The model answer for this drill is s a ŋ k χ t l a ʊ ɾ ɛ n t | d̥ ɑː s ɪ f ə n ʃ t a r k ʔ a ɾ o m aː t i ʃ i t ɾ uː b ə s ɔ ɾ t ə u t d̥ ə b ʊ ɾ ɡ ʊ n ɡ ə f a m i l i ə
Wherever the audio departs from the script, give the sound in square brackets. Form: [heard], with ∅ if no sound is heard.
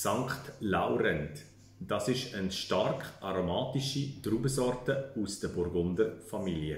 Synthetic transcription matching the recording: s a ŋ k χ t l a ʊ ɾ ɛ n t | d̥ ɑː s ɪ [ʃ] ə n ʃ t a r k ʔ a ɾ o m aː t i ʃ i t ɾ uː b ə s ɔ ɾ t ə u [s] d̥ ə b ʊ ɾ ɡ ʊ n [d] ə f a m i l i ə